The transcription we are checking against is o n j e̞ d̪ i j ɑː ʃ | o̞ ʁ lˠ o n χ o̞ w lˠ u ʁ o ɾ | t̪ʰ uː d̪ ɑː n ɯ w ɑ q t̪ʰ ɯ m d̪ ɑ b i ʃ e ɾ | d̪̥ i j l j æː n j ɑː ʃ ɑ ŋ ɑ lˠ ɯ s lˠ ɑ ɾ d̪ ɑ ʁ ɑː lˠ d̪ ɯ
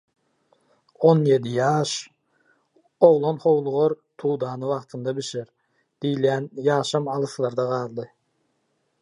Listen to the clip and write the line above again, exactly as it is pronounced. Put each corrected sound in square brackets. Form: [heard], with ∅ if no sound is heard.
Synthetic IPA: o n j e̞ d̪ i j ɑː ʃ | o̞ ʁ lˠ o n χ o̞ w lˠ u ʁ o ɾ | t̪ʰ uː d̪ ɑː n ɯ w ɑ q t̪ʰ ɯ [n] d̪ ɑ b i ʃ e ɾ | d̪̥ i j l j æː n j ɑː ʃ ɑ [m] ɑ lˠ ɯ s lˠ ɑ ɾ d̪ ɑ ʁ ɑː lˠ d̪ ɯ